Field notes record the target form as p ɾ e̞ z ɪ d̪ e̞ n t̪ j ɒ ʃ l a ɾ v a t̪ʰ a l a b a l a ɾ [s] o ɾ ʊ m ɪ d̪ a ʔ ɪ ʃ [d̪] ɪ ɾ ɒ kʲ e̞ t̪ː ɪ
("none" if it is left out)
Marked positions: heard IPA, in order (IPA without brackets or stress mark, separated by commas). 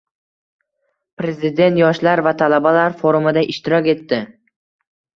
f, t̪